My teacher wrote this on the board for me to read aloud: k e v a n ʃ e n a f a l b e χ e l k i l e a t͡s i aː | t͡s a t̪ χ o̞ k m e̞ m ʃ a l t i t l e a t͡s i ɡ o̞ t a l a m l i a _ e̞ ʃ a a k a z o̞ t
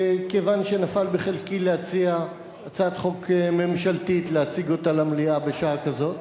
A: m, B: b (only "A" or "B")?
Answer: B